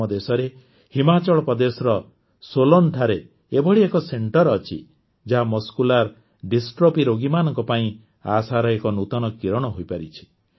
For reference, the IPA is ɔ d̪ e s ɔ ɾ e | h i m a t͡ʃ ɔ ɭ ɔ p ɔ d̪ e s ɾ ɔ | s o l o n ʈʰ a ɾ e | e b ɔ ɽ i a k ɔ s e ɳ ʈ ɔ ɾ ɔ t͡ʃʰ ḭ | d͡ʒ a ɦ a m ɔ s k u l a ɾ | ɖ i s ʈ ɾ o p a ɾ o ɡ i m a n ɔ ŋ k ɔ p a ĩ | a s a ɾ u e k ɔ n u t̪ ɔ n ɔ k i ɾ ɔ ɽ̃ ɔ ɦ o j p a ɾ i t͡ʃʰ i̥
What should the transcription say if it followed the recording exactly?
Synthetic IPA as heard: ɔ d̪ e s ɔ ɾ e | h i m a t͡ʃ ɔ ɭ ɔ p ɔ d̪ e s ɾ ɔ | s o l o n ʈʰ a ɾ e | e b ɔ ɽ i e k ɔ s e ɳ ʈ ɔ ɾ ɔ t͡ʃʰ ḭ | d͡ʒ a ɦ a m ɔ s k u l a ɾ | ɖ i s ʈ ɾ o p i ɾ o ɡ i m a n ɔ ŋ k ɔ p a ĩ | a s a ɾ ɔ e k ɔ n u t̪ ɔ n ɔ k i ɾ ɔ ɽ̃ ɔ ɦ o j p a ɾ i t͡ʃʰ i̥

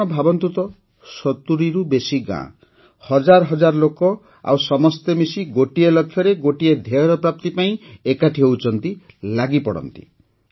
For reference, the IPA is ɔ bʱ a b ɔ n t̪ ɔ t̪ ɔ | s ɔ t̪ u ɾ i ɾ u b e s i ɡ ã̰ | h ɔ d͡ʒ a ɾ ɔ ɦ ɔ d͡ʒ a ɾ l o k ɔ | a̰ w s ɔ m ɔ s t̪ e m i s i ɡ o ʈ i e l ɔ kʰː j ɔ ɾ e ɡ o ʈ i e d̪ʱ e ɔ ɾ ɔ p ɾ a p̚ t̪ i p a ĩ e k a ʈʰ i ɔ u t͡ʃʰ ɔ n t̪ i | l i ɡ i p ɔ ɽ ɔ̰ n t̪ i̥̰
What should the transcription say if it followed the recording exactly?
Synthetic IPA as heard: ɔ bʱ a b ɔ n t̪ u t̪ ɔ | s ɔ t̪ u ɾ i ɾ u b e s i ɡ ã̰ | h ɔ d͡ʒ a ɾ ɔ ɦ ɔ d͡ʒ a ɾ l o k ɔ | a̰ w s ɔ m ɔ s t̪ e m i s i ɡ o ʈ i e l ɔ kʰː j ɔ ɾ e ɡ o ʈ i e d̪ʱ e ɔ ɾ ɔ p ɾ a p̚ t̪ i p a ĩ e k a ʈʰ i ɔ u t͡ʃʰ ɔ n t̪ i | l a ɡ i p ɔ ɽ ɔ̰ n t̪ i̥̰

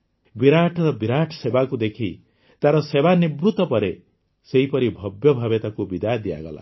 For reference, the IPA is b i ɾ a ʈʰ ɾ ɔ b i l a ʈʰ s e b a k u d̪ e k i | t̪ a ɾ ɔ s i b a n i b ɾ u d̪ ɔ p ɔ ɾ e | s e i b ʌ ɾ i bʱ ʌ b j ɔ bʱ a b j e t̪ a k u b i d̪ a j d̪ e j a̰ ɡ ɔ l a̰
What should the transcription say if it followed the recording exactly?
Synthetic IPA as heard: b i ɾ a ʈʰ ɾ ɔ b i ɾ a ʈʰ s e b a k u d̪ e kʰ i | t̪ a ɾ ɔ s e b a n i b ɾ u t̪ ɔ p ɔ ɾ e | s e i p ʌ ɾ i bʱ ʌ b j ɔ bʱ a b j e t̪ a k u b i d̪ a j d̪ i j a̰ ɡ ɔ l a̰

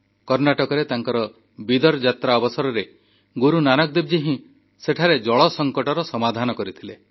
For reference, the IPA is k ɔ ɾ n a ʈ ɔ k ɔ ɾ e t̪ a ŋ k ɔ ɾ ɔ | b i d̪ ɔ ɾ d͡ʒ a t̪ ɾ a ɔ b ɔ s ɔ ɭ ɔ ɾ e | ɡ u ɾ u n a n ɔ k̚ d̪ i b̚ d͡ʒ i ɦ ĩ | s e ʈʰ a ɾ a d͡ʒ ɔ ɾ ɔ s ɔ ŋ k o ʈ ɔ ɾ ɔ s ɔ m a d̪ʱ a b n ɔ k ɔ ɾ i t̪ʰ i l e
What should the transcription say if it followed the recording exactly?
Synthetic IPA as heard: k ɔ ɾ n a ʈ ɔ k ɔ ɾ e t̪ a ŋ k ɔ ɾ ɔ | b i d̪ ɔ ɾ d͡ʒ a t̪ ɾ a ɔ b ɔ s ɔ ɾ ɔ ɾ e | ɡ u ɾ u n a n ɔ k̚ d̪ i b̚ d͡ʒ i ɦ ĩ | s e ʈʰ a ɾ e d͡ʒ ɔ ɭ ɔ s ɔ ŋ k ɔ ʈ ɔ ɾ ɔ s ɔ m a d̪ʱ a n ɔ k ɔ ɾ i t̪ʰ i l e

